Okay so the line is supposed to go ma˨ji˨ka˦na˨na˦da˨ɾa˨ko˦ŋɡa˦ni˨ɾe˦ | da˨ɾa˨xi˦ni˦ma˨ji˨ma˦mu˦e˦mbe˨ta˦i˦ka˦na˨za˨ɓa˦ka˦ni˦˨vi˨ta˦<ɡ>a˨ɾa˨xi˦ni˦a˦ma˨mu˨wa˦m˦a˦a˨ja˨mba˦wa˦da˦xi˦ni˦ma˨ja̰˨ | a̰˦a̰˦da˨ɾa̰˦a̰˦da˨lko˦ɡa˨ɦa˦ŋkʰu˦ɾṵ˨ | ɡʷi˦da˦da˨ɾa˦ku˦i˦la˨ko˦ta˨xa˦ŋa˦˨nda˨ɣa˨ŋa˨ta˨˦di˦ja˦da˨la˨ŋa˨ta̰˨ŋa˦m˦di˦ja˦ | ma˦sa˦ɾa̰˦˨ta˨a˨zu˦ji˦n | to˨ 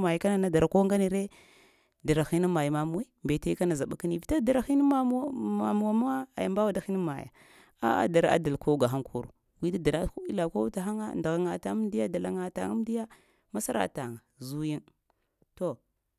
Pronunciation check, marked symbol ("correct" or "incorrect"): incorrect